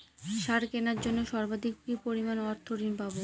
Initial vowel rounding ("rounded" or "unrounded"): unrounded